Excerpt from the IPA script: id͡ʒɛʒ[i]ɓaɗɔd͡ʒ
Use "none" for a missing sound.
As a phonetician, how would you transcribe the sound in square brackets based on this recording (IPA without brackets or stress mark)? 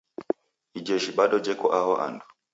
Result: i